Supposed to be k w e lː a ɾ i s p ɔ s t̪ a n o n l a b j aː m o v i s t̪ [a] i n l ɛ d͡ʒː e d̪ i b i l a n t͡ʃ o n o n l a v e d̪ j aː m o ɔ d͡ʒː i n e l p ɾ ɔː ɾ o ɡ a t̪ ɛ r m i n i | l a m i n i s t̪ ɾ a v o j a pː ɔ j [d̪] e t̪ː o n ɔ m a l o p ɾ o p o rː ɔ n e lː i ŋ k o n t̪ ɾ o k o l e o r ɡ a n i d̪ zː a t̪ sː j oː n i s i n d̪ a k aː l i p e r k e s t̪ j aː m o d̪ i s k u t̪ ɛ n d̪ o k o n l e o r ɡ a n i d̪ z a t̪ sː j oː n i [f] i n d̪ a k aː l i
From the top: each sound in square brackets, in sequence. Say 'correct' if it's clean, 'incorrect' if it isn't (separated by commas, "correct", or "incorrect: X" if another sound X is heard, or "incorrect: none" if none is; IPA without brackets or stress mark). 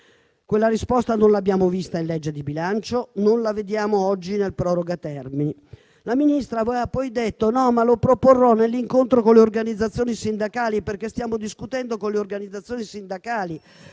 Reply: correct, correct, incorrect: s